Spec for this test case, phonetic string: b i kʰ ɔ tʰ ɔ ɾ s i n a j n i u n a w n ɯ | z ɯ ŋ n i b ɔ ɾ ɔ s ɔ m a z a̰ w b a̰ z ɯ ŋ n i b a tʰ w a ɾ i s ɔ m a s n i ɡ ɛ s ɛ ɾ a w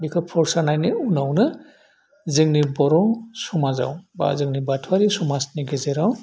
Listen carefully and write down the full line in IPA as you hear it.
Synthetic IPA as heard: b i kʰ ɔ pʰ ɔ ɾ s a n a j n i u n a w n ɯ | z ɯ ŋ n i b ɔ ɾ ɔ s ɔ m a z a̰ w b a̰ z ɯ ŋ n i b a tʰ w a ɾ i s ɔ m a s n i ɡ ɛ z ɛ ɾ a w

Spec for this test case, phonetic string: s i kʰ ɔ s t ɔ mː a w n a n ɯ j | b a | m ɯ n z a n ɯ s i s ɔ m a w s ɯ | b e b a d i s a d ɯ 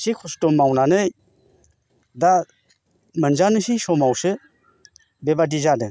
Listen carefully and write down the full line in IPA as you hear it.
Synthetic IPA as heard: s i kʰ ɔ s t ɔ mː a w n a n ɯ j | d a | m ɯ n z a n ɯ s i s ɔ m a w s ɯ | b e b a d i z a d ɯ

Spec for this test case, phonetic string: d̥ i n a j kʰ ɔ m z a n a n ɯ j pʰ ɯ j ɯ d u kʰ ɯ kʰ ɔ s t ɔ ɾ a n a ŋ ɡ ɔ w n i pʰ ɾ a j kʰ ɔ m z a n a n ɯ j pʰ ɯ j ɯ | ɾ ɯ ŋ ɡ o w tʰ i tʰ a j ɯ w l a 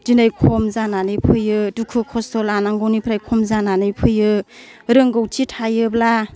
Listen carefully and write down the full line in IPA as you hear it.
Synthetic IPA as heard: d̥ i n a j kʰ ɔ m z a n a n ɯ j pʰ ɯ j ɯ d u kʰ ɯ kʰ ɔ s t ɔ l a n a ŋ ɡ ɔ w n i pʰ ɾ a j kʰ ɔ m z a n a n ɯ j pʰ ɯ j ɯ | ɾ ɯ ŋ ɡ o w tʰ i tʰ a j ɯ b l a

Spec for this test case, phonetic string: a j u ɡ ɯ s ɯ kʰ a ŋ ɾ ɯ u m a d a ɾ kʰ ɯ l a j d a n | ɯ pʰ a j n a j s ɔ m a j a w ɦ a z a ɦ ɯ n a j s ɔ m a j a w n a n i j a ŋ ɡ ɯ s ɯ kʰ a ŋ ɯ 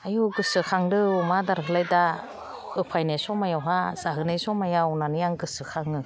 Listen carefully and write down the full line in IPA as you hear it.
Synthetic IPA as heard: a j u ɡ ɯ s ɯ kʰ a ŋ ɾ ɯ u m a d a ɾ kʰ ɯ l a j d a | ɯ pʰ a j n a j s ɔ m a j a w ɦ a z a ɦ ɯ n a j s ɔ m a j a w n a n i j a ŋ ɡ ɯ s ɯ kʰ a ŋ ɯ

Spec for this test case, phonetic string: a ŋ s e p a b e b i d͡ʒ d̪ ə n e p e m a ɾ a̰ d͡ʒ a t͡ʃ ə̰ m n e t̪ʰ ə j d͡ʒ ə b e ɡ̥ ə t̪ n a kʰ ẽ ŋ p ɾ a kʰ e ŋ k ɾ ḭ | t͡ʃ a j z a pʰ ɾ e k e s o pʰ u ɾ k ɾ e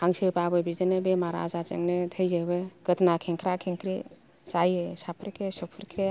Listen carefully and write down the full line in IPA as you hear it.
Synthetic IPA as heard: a ŋ s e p a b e b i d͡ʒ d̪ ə n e b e m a ɾ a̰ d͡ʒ a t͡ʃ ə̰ ŋ n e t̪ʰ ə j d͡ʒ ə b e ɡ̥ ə t̪ n a kʰ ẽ ŋ k ɾ a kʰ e ŋ k ɾ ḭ | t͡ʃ a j s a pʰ ɾ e k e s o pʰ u ɾ k ɾ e

